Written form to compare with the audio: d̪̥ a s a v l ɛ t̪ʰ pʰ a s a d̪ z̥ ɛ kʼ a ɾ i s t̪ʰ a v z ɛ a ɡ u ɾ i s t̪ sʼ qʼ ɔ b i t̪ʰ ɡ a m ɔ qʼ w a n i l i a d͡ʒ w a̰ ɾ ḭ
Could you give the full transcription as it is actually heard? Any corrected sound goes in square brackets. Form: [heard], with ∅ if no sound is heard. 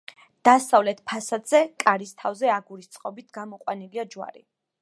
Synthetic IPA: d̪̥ a s a v l ɛ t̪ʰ pʰ a s a d̪ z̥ ɛ kʼ a ɾ i s t̪ʰ a v z ɛ a ɡ u ɾ i s t̪ sʼ qʼ ɔ b i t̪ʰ ɡ a m ɔ qʼ w a n i l i a d͡ʒ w a̰ ɾ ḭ